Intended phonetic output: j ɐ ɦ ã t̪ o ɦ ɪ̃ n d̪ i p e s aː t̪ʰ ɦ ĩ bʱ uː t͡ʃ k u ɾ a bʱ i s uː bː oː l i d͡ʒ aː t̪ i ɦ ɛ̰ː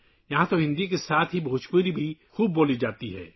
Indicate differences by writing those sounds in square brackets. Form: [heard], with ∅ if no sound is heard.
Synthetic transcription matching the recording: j ɐ ɦ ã t̪ o ɦ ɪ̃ n d̪ i [k] e s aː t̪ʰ ɦ [i] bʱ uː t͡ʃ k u ɾ [i] bʱ i [x] uː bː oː l i d͡ʒ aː t̪ i ɦ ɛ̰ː